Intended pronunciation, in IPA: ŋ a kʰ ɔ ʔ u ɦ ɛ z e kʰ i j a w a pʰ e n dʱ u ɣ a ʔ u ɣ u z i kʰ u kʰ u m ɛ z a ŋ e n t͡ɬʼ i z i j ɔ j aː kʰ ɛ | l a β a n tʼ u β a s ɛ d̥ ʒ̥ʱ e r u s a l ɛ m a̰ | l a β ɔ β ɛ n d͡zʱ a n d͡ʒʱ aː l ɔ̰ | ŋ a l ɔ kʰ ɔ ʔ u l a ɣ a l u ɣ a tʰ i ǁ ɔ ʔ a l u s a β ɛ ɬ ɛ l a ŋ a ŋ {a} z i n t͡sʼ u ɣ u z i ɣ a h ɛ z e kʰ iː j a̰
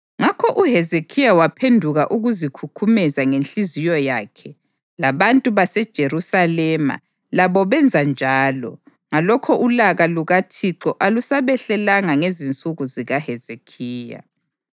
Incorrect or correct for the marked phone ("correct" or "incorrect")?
incorrect